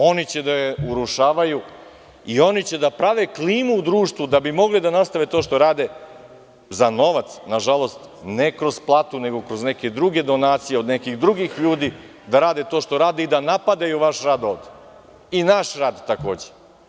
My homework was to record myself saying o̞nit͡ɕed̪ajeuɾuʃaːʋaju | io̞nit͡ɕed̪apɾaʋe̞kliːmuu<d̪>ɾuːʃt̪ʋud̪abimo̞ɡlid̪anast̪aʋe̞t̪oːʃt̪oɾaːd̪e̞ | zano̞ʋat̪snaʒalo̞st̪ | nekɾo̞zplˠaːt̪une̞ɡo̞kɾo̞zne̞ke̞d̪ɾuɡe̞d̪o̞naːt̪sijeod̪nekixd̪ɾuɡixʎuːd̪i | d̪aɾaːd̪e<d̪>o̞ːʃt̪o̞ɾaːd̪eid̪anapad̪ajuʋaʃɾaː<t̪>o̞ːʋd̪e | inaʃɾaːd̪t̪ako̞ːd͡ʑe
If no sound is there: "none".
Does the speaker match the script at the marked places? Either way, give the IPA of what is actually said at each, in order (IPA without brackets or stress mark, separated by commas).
d̪, t̪, d̪